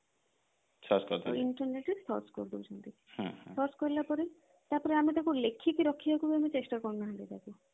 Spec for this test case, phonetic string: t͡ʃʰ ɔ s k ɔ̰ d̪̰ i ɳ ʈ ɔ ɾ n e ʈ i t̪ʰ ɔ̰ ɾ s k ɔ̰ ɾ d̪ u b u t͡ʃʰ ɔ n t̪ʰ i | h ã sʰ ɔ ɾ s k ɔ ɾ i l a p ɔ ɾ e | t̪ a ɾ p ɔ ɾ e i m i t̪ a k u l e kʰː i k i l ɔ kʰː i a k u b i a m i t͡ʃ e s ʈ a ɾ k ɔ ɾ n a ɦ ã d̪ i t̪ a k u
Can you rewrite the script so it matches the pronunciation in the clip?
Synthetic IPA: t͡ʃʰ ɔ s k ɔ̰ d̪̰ i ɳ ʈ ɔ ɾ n e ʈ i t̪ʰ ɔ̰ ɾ s k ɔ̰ ɾ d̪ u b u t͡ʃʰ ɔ n t̪ i | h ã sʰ ɔ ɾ s k ɔ ɾ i l a p ɔ ɾ e | t̪ a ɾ p ɔ ɾ e a m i t̪ a k u l e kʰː i k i ɾ ɔ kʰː i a k u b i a m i t͡ʃ e s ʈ a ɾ k ɔ ɾ n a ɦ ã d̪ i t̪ a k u

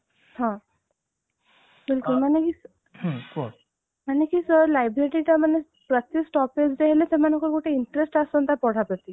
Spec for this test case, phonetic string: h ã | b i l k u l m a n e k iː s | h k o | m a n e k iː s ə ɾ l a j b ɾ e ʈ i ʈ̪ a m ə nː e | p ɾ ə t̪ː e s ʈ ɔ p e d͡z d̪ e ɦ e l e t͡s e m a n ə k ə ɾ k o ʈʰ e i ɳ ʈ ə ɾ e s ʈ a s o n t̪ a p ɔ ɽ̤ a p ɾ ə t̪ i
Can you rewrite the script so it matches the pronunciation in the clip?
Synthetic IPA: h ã | b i l k u l m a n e k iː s | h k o | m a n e k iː s ə ɾ l a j b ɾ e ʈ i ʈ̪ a m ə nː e | p ɾ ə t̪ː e s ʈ ɔ p e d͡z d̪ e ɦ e l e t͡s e m a n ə k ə ɾ k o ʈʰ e i ɳ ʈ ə ɾ e s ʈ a s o n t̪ a p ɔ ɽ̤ a p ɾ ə t̪ i

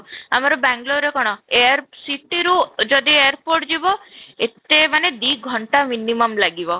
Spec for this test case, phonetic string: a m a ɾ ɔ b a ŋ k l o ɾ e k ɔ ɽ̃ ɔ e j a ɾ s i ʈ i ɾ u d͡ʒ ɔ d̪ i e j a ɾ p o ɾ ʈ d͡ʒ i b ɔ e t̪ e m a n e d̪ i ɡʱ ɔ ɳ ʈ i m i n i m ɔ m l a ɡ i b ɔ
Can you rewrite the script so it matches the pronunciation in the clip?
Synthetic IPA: a m a ɾ ɔ b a ŋ ɡ l o ɾ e k ɔ ɽ̃ ɔ e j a ɾ s i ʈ i ɾ u d͡ʒ ɔ d̪ i e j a ɾ p o ɾ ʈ d͡ʒ i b ɔ e t̪ e m a n e d̪ i ɡʱ ɔ ɳ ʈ a m i n i m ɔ m l a ɡ i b ɔ

